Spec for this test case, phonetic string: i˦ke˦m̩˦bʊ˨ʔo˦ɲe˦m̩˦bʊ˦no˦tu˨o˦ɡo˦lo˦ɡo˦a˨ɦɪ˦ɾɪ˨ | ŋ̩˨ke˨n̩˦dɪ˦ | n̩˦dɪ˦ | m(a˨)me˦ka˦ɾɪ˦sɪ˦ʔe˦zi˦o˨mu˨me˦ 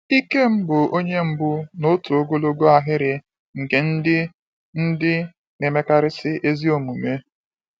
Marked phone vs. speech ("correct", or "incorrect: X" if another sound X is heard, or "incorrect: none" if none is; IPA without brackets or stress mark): incorrect: e˨